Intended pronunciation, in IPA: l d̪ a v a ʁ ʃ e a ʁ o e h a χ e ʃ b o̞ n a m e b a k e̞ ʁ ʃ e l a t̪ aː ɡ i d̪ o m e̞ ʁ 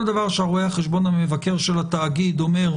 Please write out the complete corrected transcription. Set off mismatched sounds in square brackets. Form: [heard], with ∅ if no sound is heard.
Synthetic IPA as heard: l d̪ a v a ʁ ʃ e a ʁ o e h a χ e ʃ b o̞ n a m e [v] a k e̞ ʁ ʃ e l a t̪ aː ɡ i d̪ o m e̞ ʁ